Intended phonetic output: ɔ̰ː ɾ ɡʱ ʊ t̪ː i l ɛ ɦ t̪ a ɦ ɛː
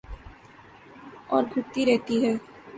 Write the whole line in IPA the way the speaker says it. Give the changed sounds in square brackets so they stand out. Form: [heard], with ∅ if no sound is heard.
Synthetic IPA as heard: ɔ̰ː ɾ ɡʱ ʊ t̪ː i [ɾ] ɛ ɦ t̪ [i] ɦ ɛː